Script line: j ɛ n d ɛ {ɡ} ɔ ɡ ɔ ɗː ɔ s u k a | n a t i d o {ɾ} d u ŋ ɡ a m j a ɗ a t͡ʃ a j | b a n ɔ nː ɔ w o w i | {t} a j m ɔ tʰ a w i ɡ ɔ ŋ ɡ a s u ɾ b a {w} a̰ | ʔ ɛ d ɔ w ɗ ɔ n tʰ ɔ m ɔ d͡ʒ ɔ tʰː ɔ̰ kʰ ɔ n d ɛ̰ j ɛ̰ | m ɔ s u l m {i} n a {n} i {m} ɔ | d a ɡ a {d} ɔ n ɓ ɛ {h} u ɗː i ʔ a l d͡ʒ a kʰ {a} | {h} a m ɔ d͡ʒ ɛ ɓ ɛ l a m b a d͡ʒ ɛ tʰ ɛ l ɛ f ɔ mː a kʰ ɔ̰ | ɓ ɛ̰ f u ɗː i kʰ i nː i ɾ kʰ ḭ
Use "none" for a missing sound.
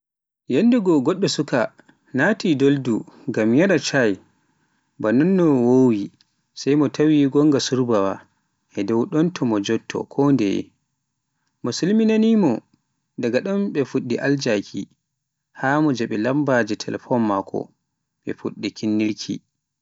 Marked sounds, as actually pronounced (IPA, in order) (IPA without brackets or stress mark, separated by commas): ɡ, l, s, w, i, n, m, ɗ, f, i, h